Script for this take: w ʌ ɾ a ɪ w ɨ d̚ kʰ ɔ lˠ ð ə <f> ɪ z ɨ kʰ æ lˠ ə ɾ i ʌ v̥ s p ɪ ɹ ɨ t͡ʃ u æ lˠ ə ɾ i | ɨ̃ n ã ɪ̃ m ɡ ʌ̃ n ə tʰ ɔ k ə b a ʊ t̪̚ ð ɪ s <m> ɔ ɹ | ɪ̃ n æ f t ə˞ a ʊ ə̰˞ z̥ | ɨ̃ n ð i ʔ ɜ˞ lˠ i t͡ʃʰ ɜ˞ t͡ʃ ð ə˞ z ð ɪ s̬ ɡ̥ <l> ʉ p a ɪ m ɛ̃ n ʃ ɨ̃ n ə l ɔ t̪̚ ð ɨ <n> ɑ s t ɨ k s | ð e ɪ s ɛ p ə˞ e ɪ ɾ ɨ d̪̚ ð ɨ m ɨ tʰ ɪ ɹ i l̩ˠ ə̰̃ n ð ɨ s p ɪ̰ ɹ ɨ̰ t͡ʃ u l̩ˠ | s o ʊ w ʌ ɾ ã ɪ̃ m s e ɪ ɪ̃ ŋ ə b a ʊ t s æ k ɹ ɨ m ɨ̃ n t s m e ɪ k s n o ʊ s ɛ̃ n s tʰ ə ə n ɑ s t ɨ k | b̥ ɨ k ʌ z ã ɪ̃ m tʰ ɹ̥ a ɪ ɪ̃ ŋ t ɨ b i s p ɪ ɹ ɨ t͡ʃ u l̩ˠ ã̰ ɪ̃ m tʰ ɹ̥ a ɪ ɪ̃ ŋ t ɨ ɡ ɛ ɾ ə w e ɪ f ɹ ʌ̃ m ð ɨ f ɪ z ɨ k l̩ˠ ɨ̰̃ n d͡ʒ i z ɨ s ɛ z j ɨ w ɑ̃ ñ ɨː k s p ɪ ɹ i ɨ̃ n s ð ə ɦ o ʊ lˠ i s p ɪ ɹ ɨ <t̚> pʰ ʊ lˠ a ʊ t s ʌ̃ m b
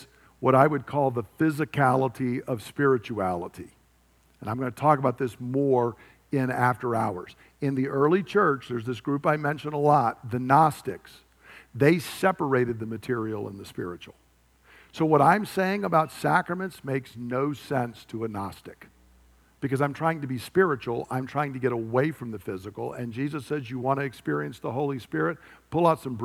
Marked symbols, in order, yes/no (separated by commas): yes, yes, no, yes, yes